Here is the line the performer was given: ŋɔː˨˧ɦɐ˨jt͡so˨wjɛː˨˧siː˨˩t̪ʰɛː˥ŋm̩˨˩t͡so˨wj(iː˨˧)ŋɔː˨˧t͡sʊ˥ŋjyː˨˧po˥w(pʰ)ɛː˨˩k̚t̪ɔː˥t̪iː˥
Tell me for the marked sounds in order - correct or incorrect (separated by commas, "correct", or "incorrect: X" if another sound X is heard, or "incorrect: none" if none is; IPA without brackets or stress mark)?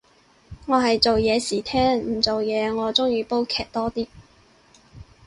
incorrect: ɛː˨˧, incorrect: kʰ